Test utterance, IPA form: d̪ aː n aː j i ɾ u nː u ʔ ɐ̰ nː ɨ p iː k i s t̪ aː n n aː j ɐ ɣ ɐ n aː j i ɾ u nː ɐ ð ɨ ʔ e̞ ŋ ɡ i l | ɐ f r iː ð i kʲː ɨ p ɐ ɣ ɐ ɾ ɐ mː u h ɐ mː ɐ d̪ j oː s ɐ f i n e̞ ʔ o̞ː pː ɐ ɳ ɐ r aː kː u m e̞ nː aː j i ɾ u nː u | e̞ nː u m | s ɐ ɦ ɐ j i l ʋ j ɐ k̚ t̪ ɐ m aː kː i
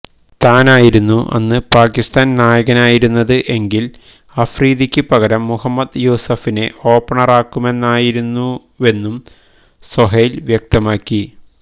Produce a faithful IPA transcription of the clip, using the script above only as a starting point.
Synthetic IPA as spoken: t̪ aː n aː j i ɾ u nː u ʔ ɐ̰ nː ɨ p aː k i s t̪ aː n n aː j ɐ ɣ ɐ n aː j i ɾ u nː ɐ ð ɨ ʔ e̞ ŋ ɡ i l | ɐ f r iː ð i kʲː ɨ p ɐ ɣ ɐ ɾ ɐ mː u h ɐ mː ɐ d̪ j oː s ɐ f i n e̞ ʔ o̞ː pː ɐ ɳ ɐ r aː kː u m e̞ nː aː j i ɾ u nː u | e̞ nː u m | s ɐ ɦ ɐ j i l ʋ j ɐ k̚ t̪ ɐ m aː kː i